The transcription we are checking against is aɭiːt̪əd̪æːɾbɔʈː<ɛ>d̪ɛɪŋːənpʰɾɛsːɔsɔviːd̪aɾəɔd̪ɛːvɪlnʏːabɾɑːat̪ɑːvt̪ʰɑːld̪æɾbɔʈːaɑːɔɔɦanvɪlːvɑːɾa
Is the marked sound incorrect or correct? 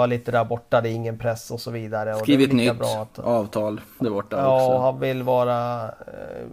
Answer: incorrect